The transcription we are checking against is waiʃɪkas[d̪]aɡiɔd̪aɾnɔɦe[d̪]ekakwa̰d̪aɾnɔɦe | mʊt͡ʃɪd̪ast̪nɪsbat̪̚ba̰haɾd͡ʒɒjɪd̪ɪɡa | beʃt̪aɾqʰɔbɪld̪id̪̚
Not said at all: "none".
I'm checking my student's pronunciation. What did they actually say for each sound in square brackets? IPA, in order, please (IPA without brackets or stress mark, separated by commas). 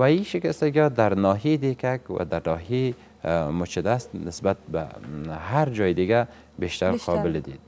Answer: t̪, d̪